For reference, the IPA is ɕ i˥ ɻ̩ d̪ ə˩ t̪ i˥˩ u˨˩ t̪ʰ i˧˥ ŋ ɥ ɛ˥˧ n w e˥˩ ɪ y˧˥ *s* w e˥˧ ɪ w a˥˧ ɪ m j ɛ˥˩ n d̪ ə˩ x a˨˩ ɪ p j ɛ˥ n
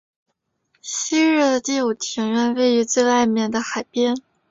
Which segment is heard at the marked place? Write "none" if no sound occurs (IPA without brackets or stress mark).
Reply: t͡s